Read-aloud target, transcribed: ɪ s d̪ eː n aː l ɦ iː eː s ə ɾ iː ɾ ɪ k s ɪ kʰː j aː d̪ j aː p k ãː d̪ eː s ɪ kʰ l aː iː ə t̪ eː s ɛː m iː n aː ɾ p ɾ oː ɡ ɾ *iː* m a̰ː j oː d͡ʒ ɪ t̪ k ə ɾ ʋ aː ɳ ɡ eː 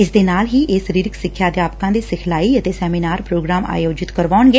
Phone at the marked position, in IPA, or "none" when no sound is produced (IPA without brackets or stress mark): aː